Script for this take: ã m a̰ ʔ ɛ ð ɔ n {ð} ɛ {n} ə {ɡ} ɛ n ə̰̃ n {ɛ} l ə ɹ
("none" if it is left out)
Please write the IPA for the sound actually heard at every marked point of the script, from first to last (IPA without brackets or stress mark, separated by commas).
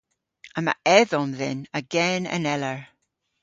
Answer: ð, n, ɡ, ɛ